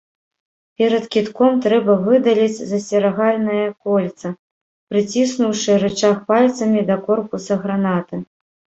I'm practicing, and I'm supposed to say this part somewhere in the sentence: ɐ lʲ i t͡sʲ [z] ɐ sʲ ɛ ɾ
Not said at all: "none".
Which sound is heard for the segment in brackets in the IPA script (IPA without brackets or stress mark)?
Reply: z